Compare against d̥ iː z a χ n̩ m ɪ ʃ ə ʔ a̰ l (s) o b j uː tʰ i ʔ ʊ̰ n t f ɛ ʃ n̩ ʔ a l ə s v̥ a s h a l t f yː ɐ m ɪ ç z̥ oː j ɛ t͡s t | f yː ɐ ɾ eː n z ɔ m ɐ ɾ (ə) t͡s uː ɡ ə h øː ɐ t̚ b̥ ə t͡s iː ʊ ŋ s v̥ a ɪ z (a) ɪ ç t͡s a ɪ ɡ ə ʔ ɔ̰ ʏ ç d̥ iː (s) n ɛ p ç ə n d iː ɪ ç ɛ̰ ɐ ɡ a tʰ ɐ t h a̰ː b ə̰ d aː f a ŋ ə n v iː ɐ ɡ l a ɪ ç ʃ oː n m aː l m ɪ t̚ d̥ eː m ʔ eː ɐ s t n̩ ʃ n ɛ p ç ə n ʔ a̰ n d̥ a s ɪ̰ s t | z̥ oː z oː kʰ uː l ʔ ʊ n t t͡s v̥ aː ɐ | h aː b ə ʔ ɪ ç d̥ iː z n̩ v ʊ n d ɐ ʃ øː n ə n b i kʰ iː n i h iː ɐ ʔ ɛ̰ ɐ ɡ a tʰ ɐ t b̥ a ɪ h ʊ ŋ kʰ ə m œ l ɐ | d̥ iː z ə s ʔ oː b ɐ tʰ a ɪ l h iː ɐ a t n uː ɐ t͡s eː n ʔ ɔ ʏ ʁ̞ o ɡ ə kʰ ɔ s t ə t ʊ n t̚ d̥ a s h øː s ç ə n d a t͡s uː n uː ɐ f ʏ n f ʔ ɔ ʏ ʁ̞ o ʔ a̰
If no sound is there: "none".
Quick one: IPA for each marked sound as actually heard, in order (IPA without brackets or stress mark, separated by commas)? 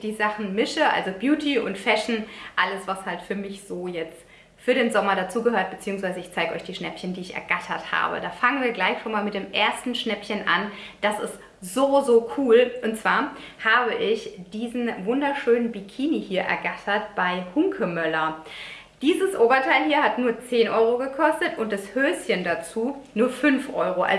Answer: z, a, ə, ʃ